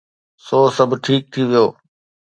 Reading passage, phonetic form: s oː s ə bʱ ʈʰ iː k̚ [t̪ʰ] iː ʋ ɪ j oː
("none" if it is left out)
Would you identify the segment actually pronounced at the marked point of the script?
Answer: t̪ʰ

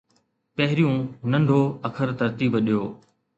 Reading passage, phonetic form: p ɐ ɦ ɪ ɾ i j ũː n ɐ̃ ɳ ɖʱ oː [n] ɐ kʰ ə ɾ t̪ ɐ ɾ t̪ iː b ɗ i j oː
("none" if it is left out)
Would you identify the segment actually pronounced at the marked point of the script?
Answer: none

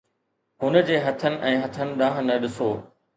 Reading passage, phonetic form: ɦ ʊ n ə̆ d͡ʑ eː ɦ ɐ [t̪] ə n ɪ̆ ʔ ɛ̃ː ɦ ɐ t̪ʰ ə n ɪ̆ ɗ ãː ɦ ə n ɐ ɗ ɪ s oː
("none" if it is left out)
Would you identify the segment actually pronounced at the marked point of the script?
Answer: t̪ʰ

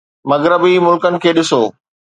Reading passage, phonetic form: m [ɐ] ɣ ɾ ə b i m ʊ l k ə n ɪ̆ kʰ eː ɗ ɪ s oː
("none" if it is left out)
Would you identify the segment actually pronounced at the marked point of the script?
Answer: ɐ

